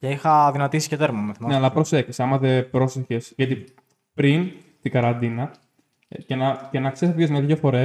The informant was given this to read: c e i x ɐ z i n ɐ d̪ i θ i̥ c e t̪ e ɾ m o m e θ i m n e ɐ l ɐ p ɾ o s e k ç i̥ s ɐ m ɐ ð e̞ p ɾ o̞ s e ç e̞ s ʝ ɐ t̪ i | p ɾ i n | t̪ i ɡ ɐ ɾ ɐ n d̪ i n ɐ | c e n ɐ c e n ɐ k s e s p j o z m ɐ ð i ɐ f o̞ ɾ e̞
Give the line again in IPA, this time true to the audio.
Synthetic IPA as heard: c e i x ɐ ð i n ɐ t̪ i s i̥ c e t̪ e ɾ m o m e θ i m n e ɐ l ɐ p ɾ o s e k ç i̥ s ɐ m ɐ ð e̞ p ɾ o̞ s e ç e̞ s ʝ ɐ t̪ i | p ɾ i n | t̪ i ɡ ɐ ɾ ɐ n d̪ i n ɐ | c e n ɐ c e n ɐ k s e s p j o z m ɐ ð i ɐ f o̞ ɾ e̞